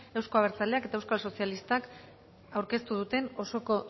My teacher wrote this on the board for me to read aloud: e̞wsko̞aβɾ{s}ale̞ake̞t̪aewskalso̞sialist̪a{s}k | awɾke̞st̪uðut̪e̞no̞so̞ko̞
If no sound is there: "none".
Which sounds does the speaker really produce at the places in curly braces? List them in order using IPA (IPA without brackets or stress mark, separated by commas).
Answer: t͡s, none